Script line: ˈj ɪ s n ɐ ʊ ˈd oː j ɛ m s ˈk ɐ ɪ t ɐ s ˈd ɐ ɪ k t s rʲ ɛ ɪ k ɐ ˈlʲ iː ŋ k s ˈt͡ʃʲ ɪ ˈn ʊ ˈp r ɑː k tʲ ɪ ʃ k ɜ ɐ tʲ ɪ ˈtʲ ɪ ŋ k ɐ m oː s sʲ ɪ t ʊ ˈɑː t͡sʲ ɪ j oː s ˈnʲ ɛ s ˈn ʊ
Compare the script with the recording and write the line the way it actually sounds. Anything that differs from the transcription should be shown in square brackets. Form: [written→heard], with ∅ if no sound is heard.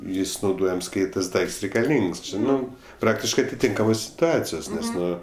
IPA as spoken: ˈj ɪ s n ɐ ʊ ˈd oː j ɛ m s ˈk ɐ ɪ t ɐ s ˈd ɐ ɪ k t s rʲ ɛ ɪ k ɐ ˈlʲ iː ŋ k s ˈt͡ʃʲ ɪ ˈn ʊ ˈp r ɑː k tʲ ɪ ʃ k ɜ ɐ tʲ ɪ ˈtʲ ɪ ŋ k ɐ m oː s sʲ ɪ t ʊ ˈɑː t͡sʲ ɪ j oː s ˈnʲ ɛ s ˈn ʊ